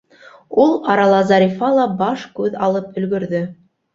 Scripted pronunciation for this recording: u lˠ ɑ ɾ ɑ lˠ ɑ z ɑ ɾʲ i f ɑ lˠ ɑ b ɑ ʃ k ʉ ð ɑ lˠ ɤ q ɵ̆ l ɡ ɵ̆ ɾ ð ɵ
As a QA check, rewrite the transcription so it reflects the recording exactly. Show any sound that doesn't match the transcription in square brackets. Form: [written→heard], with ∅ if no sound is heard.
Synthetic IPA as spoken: u lˠ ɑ ɾ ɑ lˠ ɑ z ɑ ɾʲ i f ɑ lˠ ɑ b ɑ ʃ k ʉ ð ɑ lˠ ɤ [q→p] ɵ̆ l ɡ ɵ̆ ɾ ð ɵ